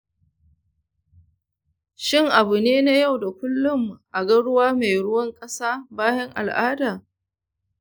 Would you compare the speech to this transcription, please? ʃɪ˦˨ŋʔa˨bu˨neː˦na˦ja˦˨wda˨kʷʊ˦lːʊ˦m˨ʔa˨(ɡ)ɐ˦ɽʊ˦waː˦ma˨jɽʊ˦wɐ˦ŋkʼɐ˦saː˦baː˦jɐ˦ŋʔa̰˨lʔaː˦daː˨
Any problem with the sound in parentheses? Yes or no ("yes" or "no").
no